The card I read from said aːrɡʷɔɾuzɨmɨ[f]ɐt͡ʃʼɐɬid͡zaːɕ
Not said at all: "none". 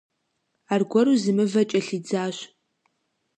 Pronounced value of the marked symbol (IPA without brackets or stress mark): v